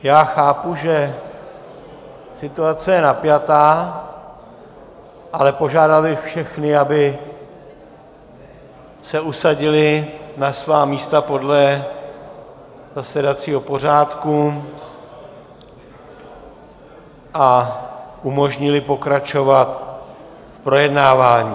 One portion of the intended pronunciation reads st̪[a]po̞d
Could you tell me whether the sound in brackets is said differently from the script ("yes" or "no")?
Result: no